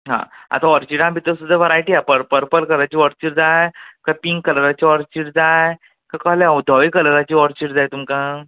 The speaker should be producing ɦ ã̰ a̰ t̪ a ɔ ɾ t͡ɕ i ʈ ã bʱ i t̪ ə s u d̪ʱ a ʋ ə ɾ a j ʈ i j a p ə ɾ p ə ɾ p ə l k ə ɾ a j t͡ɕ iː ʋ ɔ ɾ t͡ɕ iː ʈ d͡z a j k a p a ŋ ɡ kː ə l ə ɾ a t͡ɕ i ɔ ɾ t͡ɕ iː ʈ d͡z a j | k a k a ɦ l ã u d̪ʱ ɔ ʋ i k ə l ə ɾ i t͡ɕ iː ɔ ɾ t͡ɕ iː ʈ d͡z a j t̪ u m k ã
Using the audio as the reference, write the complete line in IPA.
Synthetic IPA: ɦ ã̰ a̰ t̪ a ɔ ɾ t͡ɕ i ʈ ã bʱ i t̪ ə s u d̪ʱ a ʋ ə ɾ a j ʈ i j a p ə ɾ p ə ɾ p ə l k ə ɾ a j t͡ɕ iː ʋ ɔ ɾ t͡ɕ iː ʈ d͡z a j k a p i ŋ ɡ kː ə l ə ɾ a t͡ɕ i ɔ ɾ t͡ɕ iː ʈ d͡z a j | k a k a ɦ l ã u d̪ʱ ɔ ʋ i k ə l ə ɾ a t͡ɕ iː ɔ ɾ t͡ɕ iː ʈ d͡z a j t̪ u m k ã